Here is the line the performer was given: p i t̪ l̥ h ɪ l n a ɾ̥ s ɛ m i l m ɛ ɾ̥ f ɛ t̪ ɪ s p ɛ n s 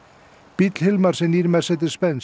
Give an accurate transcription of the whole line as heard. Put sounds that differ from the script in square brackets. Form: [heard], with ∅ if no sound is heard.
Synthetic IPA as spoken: p i t̪ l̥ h ɪ l [m] a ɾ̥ s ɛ [n] i [ɾ] m ɛ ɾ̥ [s] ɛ t̪ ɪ s p ɛ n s